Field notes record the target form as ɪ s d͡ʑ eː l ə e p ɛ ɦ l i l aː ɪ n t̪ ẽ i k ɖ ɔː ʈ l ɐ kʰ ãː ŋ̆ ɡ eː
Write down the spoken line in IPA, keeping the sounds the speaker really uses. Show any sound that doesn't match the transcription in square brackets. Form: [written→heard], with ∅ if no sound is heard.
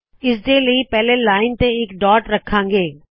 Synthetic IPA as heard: ɪ s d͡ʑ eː l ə [e→i] p ɛ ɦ l [i→e] l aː ɪ n t̪ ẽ [i→ɪ] k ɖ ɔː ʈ [l→ɾ] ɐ kʰ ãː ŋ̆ ɡ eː